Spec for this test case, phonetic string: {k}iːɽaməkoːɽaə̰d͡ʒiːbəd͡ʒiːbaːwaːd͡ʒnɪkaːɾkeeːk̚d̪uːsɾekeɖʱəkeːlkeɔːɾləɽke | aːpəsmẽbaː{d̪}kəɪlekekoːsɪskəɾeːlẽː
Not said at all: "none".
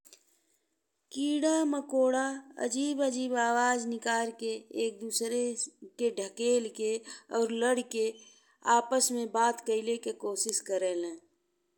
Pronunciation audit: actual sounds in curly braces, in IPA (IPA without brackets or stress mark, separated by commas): k, t̪